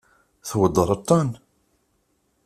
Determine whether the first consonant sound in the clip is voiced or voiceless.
voiceless